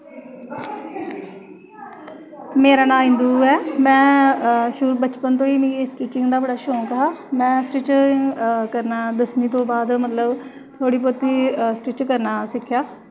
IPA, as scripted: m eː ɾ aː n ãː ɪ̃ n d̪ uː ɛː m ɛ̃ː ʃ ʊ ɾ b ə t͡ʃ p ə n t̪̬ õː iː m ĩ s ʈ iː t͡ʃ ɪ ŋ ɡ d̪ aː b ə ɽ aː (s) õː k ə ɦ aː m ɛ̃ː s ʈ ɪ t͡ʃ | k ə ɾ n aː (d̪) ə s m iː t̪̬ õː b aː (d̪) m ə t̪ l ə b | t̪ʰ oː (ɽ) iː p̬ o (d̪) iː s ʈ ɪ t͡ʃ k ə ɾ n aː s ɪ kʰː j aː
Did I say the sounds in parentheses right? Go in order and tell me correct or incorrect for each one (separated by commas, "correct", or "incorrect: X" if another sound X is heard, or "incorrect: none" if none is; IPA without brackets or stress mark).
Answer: incorrect: ʃ, correct, correct, correct, incorrect: t̪